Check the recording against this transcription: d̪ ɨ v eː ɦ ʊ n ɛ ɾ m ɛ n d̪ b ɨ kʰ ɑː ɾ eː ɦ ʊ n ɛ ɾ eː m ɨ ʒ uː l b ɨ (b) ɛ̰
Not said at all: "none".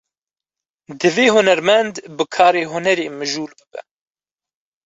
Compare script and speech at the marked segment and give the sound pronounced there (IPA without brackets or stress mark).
b